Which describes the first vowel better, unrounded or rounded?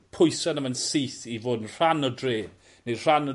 rounded